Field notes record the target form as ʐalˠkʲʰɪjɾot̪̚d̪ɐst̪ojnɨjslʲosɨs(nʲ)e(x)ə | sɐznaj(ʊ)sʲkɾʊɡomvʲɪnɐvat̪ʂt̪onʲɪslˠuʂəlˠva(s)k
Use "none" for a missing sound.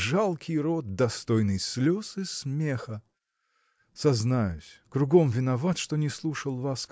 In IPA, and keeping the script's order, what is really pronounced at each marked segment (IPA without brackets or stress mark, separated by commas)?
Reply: mʲ, x, ʊ, s